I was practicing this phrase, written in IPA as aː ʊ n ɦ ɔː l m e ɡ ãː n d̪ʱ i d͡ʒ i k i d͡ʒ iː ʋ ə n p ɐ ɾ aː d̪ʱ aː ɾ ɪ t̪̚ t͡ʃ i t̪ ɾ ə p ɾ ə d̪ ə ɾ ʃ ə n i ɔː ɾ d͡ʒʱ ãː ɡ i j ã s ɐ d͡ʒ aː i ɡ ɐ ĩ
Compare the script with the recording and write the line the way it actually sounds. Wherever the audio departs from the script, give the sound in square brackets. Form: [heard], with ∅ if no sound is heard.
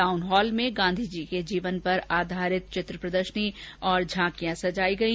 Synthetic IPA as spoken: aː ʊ n ɦ ɔː l m [ẽ] ɡ ãː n d̪ʱ i d͡ʒ i k [e] d͡ʒ iː ʋ ə n p ɐ ɾ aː d̪ʱ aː ɾ ɪ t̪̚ t͡ʃ [ɪ] t̪ ɾ ə p ɾ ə d̪ ə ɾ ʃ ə n i ɔː ɾ d͡ʒʱ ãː [k] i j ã s ɐ d͡ʒ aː i ɡ ɐ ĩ